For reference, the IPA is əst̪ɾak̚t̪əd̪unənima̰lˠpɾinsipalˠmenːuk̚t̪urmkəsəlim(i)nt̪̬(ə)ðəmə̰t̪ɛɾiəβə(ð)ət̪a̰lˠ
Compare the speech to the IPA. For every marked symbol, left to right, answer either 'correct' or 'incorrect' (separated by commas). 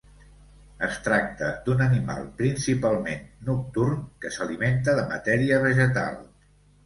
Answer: incorrect, correct, incorrect